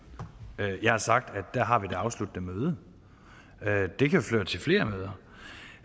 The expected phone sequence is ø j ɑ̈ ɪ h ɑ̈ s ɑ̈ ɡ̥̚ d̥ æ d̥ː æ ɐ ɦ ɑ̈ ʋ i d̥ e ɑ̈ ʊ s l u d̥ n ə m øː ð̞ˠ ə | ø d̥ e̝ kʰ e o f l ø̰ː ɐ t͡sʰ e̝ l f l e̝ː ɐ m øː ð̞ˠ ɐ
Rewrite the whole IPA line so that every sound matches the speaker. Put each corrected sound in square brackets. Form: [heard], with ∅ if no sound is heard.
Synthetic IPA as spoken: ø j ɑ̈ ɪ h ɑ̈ s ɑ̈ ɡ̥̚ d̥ æ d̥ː æ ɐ ɦ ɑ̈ ʋ i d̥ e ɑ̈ ʊ s l u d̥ n ə m øː ð̞ˠ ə | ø d̥ e̝ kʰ [æ] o f l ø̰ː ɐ t͡sʰ e̝ l f l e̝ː ɐ m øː ð̞ˠ ɐ